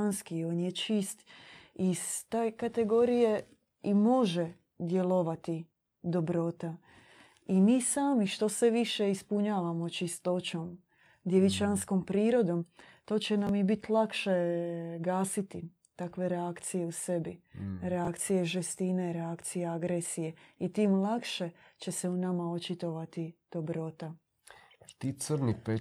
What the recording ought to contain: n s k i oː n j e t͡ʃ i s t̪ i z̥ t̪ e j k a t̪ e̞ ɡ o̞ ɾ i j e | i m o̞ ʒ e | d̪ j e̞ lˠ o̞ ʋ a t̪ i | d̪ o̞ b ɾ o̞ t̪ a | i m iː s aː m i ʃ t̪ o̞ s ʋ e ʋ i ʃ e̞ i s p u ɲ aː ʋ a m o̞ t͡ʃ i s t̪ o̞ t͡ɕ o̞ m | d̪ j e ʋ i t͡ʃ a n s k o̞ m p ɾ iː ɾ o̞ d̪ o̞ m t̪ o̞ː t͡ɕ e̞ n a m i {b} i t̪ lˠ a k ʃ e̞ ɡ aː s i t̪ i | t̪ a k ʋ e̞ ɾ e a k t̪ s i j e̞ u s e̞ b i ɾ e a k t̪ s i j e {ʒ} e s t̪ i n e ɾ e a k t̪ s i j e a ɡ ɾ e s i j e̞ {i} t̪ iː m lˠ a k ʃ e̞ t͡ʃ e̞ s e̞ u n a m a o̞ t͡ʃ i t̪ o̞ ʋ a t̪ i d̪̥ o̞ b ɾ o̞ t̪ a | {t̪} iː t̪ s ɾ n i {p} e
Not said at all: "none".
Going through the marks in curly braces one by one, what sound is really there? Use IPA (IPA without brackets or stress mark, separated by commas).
b, ʒ, i, t̪, p